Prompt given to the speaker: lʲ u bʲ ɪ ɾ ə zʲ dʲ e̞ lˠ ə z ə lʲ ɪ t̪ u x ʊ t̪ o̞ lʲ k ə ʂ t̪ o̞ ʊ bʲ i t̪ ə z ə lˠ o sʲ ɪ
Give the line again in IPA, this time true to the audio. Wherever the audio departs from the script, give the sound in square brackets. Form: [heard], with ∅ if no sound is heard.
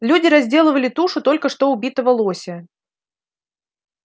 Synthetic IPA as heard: lʲ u [dʲ] ɪ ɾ [ɐ] zʲ dʲ e̞ lˠ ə [v] ə lʲ ɪ t̪ u [ʂ] ʊ t̪ o̞ lʲ k ə ʂ t̪ o̞ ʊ bʲ i t̪ ə [v] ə lˠ o sʲ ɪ